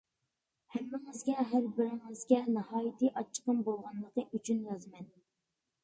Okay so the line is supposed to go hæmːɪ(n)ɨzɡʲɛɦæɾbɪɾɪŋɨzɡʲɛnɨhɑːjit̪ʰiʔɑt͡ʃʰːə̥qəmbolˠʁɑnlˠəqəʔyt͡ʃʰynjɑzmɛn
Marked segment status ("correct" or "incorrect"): incorrect